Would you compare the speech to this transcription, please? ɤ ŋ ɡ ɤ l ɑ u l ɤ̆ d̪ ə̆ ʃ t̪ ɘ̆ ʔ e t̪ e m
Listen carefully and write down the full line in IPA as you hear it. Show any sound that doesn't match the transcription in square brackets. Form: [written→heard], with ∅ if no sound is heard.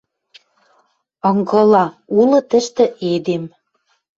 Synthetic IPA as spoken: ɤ ŋ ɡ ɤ l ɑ u l ɤ̆ [d̪→t̪] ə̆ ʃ t̪ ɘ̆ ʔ e [t̪→d̪] e m